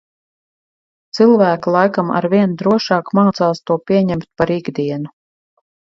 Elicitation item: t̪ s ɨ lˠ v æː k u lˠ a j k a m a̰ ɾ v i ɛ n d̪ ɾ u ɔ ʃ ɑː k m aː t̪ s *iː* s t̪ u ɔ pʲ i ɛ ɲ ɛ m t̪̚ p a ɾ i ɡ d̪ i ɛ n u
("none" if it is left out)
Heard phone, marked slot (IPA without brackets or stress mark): aː